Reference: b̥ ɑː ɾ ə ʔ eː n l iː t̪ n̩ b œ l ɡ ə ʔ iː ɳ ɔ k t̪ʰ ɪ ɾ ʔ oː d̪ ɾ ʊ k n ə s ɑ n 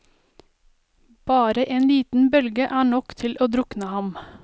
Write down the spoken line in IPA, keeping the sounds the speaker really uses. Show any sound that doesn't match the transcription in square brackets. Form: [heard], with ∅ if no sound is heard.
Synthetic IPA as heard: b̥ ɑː ɾ ə ʔ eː n l iː t̪ n̩ b œ l ɡ ə ʔ [æː] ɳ ɔ k t̪ʰ ɪ [l] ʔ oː d̪ ɾ ʊ k n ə [h] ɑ [m]